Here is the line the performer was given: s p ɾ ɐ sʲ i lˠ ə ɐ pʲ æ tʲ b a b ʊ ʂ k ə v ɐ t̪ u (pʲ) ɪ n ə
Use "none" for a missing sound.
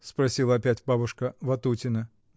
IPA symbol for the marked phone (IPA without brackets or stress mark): tʲ